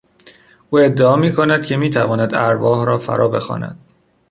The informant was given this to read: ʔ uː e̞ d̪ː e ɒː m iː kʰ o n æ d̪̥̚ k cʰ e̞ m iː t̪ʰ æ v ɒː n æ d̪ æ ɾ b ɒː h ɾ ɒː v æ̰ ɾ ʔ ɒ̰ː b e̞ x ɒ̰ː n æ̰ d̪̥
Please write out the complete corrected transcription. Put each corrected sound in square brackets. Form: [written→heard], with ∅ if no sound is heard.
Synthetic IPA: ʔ uː e̞ d̪ː e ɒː m iː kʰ o n æ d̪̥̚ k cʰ e̞ m iː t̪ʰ æ v ɒː n æ d̪ æ ɾ [b→v] ɒː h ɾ ɒː [v→f] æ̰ ɾ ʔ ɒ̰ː b e̞ x ɒ̰ː n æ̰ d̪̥

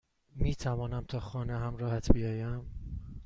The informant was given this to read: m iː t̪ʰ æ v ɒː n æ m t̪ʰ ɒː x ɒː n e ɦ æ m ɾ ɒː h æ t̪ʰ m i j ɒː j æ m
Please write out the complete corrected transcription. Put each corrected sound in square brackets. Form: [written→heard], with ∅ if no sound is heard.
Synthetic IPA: m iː t̪ʰ æ v ɒː n æ m t̪ʰ ɒː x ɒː n e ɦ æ m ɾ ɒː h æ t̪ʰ [m→b] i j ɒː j æ m

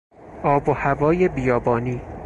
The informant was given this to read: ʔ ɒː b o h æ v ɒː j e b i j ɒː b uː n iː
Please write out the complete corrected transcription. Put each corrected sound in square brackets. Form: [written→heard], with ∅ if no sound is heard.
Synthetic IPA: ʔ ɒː b o h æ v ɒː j e b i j ɒː b [uː→ɒː] n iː

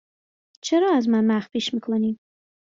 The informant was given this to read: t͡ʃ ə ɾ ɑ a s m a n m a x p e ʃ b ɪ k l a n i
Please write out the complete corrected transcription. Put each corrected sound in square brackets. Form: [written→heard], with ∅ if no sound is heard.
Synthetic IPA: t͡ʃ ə ɾ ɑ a [s→z] m a n m a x p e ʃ [b→m] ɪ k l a n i

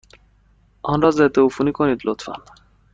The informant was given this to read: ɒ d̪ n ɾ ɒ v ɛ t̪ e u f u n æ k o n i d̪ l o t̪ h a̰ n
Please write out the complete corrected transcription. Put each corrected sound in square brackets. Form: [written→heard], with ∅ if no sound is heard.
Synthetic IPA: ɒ [d̪→∅] n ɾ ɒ [v→z] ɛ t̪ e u f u n [æ→i] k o n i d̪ l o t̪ [h→f] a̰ n

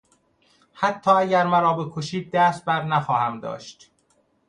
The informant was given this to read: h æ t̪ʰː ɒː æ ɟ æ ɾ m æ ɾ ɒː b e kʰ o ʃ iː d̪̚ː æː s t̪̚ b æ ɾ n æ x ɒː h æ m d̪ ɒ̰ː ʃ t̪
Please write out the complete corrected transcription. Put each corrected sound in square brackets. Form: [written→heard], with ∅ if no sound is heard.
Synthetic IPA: h æ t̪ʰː ɒː æ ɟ æ ɾ m æ ɾ ɒː b e kʰ o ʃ iː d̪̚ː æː s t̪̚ b æ ɾ n æ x ɒː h æ m d̪ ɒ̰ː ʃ t̪

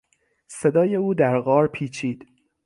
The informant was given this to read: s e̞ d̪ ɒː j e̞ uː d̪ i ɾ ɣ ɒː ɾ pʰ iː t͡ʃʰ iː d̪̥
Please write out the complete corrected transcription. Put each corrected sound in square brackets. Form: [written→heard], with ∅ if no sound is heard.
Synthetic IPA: s e̞ d̪ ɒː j e̞ uː d̪ [i→æ] ɾ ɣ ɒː ɾ pʰ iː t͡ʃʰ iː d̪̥

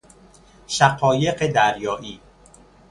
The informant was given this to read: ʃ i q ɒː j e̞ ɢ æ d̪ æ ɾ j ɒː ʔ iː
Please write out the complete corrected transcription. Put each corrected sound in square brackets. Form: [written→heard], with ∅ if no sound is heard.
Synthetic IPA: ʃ [i→æ] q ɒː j e̞ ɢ [æ→e] d̪ æ ɾ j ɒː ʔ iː

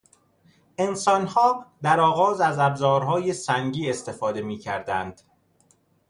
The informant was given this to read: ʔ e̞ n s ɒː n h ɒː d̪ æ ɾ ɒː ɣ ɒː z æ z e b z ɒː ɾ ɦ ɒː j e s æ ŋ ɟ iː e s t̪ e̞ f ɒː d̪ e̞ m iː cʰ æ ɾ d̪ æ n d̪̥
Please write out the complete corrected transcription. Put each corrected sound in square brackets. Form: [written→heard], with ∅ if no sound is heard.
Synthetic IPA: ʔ e̞ n s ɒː n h ɒː d̪ æ ɾ ɒː ɣ ɒː z æ z [e→æ] b z ɒː ɾ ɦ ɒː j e s æ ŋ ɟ iː e s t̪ e̞ f ɒː d̪ e̞ m iː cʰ æ ɾ d̪ æ n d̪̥

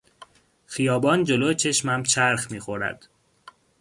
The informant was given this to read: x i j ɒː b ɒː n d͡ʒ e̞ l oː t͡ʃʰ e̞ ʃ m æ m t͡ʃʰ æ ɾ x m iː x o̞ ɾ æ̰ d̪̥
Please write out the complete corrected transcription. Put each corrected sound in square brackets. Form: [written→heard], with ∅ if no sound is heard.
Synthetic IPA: x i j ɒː b ɒː n d͡ʒ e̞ l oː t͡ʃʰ e̞ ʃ m æ m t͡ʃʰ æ ɾ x m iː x o̞ ɾ æ̰ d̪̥

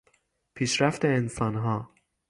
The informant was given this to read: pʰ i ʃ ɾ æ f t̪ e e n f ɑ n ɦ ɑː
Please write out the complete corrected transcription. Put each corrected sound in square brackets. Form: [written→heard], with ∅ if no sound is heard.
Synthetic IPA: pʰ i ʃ ɾ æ f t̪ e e n [f→s] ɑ n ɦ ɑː

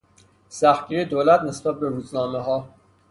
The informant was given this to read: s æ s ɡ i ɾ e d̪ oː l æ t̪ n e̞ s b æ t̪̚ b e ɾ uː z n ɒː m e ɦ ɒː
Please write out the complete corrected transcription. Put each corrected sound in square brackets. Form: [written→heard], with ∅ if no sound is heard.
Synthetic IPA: s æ [s→x] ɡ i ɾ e d̪ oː l æ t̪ n e̞ s b æ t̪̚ b e ɾ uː z n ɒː m e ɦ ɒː

